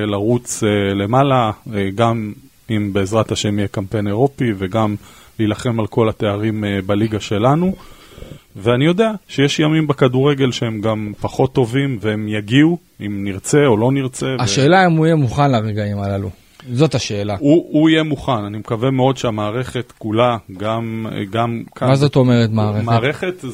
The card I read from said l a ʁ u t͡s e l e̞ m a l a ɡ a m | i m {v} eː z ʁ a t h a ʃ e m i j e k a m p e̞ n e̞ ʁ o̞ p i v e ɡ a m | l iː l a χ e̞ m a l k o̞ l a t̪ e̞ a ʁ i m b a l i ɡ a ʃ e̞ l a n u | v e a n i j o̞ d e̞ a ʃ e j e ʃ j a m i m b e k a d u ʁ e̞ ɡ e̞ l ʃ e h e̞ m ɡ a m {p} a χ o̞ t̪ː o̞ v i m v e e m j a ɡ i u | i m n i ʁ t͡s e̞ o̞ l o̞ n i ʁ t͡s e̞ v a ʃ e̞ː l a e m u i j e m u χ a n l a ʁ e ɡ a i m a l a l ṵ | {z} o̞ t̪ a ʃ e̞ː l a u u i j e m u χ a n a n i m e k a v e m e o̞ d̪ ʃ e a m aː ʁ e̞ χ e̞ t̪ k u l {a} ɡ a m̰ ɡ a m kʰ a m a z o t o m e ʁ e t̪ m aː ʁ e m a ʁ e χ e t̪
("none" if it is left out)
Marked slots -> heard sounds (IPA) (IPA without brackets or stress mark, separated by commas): b, p, z, a